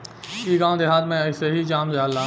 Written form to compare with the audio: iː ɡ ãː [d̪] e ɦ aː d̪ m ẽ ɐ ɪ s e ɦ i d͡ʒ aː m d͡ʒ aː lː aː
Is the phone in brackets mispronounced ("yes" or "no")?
no